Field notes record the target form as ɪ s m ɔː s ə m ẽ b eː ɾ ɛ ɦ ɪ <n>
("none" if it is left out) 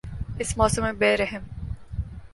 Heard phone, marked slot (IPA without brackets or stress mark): m